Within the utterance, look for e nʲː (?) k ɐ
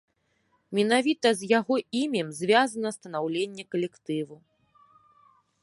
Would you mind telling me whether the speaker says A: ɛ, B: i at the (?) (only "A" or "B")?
A